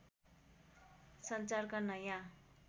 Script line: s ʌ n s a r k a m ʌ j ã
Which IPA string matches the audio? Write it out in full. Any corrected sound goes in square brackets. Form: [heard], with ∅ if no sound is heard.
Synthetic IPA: s ʌ n [t͡s] a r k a [n] ʌ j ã